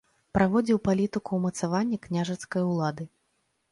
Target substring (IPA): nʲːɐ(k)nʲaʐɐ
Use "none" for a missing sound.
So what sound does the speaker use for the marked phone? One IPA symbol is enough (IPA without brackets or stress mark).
k